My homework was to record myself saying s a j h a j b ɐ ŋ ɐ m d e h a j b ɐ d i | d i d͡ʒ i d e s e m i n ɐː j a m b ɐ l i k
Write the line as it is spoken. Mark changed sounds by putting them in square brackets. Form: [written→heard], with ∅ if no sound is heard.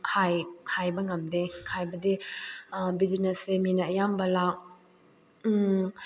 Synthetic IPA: [s→h] a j h a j b ɐ ŋ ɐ m d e h a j b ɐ d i | [d→b] i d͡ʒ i [d→n] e s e m i n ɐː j a m b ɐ l [i→a] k